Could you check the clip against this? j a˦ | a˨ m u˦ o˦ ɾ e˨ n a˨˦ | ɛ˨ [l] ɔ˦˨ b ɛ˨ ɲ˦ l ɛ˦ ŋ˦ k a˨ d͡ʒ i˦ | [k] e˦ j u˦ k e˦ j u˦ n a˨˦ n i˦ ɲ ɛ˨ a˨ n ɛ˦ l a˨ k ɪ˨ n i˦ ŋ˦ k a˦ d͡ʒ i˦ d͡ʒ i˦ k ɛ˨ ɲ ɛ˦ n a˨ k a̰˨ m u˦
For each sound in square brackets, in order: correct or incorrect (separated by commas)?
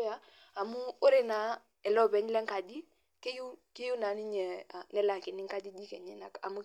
correct, correct